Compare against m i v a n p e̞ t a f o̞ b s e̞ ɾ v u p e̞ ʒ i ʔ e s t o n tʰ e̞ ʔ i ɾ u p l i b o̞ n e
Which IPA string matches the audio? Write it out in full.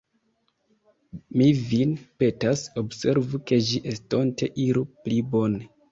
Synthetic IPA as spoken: m i v i n p e̞ t a s o̞ b s e̞ ɾ v u k e̞ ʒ i ʔ e s t o n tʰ e̞ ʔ i ɾ u p l i b o̞ n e